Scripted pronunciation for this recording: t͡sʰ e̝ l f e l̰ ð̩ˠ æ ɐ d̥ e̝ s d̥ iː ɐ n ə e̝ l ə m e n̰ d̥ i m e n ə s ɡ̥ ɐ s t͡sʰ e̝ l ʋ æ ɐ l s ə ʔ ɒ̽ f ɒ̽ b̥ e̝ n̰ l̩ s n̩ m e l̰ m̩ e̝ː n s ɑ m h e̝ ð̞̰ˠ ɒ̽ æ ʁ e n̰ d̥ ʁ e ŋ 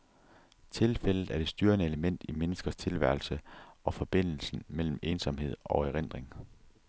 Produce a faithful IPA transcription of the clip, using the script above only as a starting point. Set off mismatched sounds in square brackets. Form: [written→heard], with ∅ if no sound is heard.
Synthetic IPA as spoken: t͡sʰ e̝ l f e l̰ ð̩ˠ æ ɐ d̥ e̝ s d̥ [iː→yː] ɐ n ə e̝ l ə m e n̰ d̥ i m e n ə s ɡ̥ ɐ s t͡sʰ e̝ l ʋ æ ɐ l s ə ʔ ɒ̽ f ɒ̽ b̥ e̝ n̰ l̩ s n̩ m e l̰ m̩ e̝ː n s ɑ m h e̝ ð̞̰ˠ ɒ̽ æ ʁ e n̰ d̥ ʁ e ŋ